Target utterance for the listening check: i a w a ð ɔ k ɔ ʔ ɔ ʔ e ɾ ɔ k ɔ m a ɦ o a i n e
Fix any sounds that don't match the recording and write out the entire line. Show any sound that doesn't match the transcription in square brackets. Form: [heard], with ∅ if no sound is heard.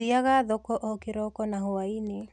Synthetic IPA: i a [ɣ] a ð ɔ k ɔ ʔ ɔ [k] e ɾ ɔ k ɔ [n] a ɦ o a i n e